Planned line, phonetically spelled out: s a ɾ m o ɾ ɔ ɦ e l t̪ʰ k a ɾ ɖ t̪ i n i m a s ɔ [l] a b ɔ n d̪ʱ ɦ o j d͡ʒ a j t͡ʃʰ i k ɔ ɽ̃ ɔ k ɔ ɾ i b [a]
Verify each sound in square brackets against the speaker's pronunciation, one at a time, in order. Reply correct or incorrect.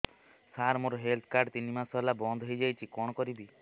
correct, incorrect: i

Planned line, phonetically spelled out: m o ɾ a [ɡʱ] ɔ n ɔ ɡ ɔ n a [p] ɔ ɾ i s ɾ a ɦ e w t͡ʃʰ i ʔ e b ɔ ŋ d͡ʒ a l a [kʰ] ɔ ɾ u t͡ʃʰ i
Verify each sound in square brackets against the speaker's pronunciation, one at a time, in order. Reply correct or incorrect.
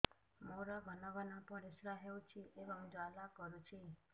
correct, correct, incorrect: k

